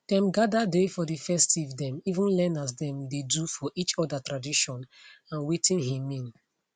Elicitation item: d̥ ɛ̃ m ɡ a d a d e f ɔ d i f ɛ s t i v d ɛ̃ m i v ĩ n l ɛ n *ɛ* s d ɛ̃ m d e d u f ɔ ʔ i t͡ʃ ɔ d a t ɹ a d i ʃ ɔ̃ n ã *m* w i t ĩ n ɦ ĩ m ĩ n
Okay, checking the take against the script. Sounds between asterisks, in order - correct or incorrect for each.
incorrect: a, incorrect: n

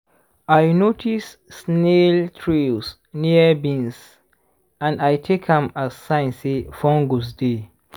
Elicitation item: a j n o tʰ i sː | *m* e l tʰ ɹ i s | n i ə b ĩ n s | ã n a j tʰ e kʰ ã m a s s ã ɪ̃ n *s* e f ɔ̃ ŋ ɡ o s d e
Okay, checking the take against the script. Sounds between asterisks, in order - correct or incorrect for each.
incorrect: n, correct

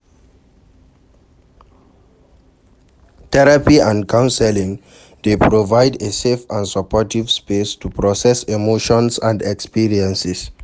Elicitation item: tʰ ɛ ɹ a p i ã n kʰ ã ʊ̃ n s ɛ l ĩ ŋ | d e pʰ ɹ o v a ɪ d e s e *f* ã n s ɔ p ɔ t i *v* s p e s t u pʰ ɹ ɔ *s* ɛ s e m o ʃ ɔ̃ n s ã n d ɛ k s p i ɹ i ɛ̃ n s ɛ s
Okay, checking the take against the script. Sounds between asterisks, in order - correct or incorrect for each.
correct, correct, correct

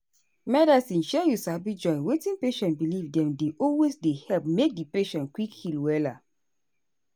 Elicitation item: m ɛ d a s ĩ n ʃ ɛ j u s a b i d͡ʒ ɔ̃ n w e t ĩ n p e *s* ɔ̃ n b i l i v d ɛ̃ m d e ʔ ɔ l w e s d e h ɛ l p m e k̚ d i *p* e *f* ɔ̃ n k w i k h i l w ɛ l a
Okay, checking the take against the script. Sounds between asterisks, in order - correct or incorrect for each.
incorrect: ʃ, correct, incorrect: ʃ

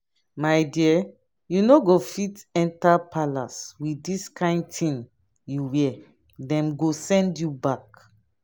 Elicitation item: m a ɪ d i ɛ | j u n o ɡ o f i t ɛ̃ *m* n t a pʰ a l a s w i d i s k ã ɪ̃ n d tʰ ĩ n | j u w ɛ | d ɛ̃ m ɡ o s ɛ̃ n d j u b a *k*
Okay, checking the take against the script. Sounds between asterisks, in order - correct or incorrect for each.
incorrect: none, correct

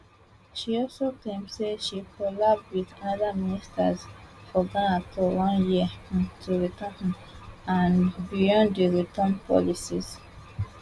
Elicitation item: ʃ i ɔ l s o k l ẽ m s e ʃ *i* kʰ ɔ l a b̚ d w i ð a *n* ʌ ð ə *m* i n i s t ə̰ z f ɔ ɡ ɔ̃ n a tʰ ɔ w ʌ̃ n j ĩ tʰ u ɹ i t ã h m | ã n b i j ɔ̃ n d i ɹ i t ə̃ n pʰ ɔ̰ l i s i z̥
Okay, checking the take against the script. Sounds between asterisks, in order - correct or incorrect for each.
correct, correct, correct

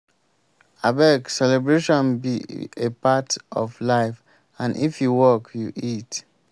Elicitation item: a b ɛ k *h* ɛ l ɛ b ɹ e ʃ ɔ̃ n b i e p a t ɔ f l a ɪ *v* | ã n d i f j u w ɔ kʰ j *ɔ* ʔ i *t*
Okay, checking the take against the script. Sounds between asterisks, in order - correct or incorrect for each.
incorrect: s, incorrect: f, incorrect: u, correct

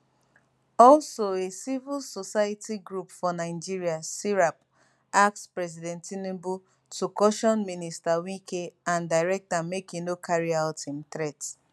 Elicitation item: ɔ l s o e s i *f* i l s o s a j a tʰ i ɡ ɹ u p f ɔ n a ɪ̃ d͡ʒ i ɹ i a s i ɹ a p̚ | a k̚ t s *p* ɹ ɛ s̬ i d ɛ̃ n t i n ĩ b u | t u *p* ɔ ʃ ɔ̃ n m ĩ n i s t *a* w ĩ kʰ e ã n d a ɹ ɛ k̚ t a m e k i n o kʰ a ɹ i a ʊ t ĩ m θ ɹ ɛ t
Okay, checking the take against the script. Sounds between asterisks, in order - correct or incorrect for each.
incorrect: v, correct, incorrect: k, correct

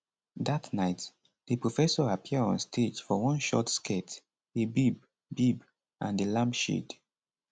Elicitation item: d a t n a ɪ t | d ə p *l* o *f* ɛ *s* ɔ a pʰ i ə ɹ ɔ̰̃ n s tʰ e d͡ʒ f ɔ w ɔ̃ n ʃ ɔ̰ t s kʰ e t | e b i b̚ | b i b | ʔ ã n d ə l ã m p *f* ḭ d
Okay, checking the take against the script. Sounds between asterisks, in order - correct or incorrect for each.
incorrect: ɹ, correct, correct, incorrect: ʃ

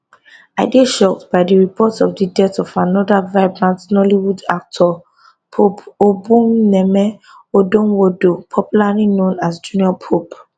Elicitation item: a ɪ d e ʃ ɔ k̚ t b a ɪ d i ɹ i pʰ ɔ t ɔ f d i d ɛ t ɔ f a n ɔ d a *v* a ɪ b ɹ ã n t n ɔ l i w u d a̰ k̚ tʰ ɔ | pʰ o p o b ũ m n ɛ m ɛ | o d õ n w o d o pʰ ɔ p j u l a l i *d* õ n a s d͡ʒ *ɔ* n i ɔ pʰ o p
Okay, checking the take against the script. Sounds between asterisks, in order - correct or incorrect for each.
correct, incorrect: n, incorrect: u

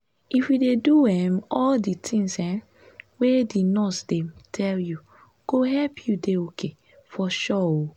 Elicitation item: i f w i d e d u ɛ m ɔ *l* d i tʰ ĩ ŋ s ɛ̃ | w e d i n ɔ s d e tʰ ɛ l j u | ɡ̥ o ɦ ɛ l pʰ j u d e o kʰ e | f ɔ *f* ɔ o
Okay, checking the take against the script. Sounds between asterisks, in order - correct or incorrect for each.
correct, incorrect: ʃ

